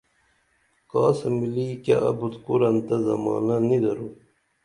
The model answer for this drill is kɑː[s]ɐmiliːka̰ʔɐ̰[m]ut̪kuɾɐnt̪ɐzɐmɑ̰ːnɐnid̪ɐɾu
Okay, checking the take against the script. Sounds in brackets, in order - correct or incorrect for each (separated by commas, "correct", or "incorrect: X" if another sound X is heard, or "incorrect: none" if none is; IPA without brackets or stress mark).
correct, incorrect: b